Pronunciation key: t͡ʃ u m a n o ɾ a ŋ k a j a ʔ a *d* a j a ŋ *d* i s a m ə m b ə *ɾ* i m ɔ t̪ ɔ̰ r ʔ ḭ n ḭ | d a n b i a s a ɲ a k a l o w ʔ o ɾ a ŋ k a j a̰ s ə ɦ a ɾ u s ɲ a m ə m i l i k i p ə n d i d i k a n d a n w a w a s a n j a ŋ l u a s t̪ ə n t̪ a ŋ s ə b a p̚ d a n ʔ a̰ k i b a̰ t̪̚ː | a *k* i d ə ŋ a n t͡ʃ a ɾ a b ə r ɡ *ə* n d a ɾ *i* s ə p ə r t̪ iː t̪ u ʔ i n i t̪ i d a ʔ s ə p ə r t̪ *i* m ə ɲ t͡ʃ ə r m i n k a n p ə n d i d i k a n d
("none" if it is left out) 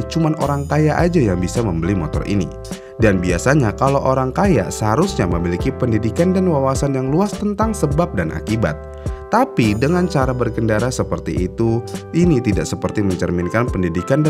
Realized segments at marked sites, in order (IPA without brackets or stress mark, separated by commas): d͡ʒ, b, l, p, ə, a, i